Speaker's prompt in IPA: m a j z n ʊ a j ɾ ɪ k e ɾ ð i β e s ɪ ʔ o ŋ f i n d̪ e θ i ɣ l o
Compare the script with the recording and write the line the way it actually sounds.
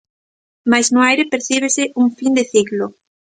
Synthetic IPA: m a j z n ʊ a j ɾ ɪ p e ɾ θ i β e s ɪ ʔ u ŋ f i n d̪ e θ i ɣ l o